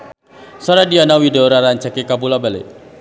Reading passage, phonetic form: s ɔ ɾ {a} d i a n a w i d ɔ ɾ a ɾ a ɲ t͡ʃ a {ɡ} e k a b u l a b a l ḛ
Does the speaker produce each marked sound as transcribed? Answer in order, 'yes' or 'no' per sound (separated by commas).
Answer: yes, no